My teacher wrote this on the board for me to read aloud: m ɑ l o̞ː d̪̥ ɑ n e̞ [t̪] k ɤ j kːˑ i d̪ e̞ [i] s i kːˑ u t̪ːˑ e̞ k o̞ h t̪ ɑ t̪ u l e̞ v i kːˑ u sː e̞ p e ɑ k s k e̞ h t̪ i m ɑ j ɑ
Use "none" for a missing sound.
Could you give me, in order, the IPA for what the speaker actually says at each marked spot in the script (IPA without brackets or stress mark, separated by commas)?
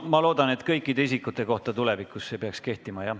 t̪, i